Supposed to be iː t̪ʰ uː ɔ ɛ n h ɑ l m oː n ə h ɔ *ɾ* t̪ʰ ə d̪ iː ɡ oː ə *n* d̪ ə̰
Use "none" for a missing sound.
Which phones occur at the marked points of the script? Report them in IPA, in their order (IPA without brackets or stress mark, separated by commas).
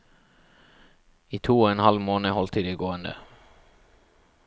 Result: l, n